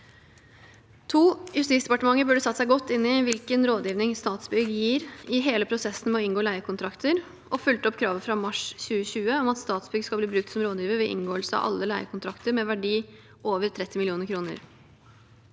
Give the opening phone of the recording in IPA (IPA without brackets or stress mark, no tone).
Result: t̪ʰ